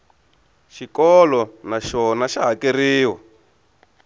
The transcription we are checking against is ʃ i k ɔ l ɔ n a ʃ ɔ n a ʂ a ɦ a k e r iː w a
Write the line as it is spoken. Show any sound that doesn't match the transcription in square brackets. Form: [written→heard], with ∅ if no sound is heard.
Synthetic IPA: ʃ i k ɔ l ɔ n a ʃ ɔ n a [ʂ→ʃ] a ɦ a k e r iː w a